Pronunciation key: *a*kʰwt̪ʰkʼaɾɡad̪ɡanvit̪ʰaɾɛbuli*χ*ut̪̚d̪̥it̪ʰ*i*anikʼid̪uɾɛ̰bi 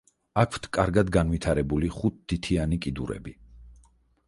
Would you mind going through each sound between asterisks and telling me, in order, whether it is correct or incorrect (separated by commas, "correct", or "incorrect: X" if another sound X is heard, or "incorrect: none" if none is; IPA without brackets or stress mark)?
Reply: correct, correct, correct